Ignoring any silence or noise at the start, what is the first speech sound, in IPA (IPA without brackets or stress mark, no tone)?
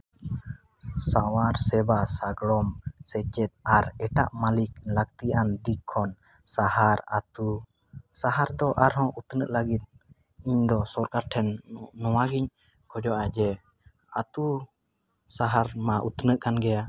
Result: s